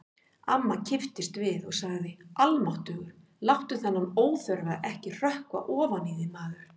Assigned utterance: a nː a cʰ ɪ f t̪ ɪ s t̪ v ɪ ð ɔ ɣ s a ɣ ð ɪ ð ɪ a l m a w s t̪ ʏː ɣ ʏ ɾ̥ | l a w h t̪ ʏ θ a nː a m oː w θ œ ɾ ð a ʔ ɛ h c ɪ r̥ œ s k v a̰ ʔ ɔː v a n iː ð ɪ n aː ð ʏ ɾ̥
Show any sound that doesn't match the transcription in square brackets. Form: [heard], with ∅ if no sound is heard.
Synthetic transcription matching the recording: a [mː] a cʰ ɪ f t̪ ɪ s t̪ v ɪ ð ɔ ɣ s a ɣ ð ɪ ð ɪ a l m a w [h] t̪ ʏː ɣ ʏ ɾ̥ | l a w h t̪ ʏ θ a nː a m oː w θ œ ɾ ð a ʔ ɛ h c ɪ r̥ œ [h] k v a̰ ʔ ɔː v a n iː ð ɪ [m] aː ð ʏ ɾ̥